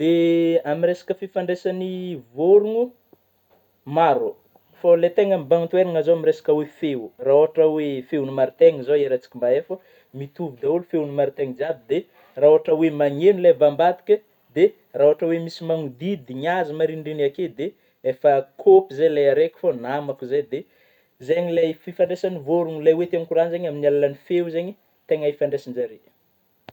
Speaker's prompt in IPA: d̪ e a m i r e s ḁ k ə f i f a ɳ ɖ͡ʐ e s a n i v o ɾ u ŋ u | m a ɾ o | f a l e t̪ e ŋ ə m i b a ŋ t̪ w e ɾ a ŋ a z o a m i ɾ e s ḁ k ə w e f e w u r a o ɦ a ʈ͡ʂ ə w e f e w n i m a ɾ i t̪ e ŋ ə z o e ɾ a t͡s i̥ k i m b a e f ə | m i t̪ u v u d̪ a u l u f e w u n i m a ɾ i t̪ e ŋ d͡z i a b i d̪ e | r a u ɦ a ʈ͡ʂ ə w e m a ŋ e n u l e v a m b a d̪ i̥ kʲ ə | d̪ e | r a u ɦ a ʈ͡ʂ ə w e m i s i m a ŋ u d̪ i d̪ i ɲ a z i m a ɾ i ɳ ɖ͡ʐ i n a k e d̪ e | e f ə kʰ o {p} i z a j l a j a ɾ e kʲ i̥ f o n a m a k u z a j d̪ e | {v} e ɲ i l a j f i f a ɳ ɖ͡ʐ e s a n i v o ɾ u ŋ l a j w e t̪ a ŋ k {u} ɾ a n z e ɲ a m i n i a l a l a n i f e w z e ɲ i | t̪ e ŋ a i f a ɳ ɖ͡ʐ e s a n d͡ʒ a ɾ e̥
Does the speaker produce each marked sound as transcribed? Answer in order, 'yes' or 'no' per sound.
yes, no, yes

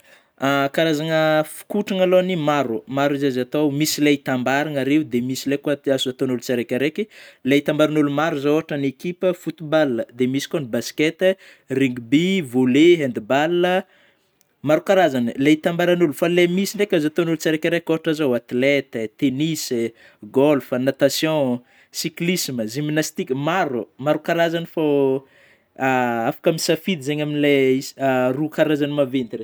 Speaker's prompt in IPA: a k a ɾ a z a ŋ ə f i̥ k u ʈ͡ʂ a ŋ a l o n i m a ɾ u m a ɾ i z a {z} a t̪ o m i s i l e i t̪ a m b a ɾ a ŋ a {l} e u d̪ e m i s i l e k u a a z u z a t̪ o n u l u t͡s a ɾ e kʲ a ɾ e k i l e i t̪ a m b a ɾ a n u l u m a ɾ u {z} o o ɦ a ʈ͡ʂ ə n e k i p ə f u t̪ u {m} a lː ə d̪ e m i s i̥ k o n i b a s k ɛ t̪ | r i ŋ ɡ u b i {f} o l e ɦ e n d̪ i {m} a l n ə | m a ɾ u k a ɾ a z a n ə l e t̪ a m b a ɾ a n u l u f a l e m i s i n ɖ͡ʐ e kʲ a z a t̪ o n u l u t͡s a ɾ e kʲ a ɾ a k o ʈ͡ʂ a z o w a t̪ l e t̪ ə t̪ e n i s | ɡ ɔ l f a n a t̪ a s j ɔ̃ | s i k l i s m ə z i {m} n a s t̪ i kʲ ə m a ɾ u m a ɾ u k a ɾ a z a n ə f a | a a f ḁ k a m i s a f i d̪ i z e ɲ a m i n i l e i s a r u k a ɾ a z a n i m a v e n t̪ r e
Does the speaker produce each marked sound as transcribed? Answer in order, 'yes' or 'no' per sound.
yes, no, yes, no, no, no, yes

